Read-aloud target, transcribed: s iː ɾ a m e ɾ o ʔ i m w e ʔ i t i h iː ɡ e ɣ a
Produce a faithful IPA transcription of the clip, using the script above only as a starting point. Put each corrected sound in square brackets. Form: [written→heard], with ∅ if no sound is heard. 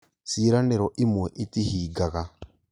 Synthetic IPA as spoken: s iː ɾ a [m→n] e ɾ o ʔ i m w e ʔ i t i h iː ɡ [e→a] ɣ a

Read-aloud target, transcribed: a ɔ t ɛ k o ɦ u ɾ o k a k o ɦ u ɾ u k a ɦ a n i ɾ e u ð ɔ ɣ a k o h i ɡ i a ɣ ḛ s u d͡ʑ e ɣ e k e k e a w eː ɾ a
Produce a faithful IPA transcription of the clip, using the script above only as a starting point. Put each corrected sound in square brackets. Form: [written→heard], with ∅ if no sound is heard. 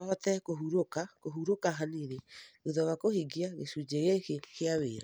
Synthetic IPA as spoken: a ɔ t ɛ k o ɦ u ɾ o k a k o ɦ u ɾ [u→o] k a ɦ a n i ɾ e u ð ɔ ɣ a k o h i ɡ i a ɣ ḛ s u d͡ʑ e ɣ e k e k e a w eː ɾ a

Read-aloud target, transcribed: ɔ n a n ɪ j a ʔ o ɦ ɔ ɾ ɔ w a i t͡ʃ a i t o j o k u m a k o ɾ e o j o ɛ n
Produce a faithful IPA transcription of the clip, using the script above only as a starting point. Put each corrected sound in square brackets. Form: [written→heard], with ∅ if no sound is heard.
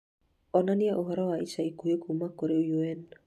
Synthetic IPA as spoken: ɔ n a n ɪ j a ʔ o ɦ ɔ ɾ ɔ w a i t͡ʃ a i [t→k] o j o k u m a k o ɾ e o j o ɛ n

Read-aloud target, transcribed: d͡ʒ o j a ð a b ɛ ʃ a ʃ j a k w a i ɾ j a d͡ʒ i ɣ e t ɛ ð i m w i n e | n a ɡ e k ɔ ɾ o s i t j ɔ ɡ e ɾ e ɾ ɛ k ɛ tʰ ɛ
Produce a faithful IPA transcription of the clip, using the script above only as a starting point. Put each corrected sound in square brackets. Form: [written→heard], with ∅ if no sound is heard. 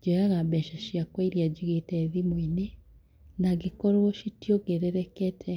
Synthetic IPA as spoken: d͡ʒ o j a [ð→ɣ] a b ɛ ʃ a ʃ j a k w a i ɾ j a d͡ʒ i ɣ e t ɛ ð i m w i n e | n a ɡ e k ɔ ɾ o [s→ʃ] i t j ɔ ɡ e ɾ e ɾ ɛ k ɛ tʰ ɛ

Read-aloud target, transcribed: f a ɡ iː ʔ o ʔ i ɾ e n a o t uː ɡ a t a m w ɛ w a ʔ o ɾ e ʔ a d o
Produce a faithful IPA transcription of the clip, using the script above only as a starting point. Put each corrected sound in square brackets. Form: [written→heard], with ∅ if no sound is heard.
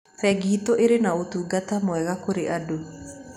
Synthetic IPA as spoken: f [a→ɛ] ɡ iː [ʔ→t] o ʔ [i→e] ɾ e n a o t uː ɡ a t a m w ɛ [w→ɣ] a [ʔ→k] o ɾ e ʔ a d o

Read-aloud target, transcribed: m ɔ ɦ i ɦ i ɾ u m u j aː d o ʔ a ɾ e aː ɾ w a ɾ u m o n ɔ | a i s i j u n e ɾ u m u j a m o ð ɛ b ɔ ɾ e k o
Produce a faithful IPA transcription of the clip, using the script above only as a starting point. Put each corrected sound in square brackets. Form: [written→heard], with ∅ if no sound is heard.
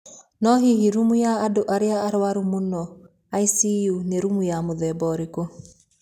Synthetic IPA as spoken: [m→n] ɔ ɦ i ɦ i ɾ u m u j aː d o ʔ a ɾ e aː ɾ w a ɾ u m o n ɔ | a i s i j u n e ɾ u m u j a m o ð ɛ b ɔ ɾ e k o

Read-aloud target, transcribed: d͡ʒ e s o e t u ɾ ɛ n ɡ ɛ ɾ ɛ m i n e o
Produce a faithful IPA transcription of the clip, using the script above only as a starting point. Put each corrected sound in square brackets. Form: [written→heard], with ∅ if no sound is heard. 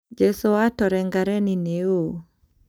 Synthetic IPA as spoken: d͡ʒ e s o [e→a] t [u→ɔ] ɾ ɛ [n→ŋ] ɡ [ɛ→a] ɾ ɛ [m→n] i n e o

